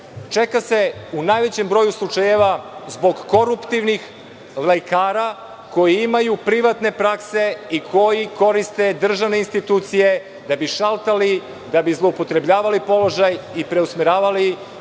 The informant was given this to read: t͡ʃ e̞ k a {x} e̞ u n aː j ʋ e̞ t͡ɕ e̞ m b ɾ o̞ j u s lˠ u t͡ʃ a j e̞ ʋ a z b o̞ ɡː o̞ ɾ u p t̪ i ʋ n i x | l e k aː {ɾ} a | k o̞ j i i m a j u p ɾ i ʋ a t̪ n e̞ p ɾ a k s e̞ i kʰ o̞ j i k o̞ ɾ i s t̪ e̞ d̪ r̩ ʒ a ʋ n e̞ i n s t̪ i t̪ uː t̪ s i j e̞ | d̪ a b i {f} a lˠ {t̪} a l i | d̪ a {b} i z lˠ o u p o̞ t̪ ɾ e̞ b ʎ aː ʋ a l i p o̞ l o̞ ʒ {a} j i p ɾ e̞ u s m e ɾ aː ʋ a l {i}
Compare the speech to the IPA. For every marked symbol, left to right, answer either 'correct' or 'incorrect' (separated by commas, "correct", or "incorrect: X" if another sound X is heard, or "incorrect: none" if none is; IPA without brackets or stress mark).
incorrect: s, correct, incorrect: ʃ, correct, correct, correct, correct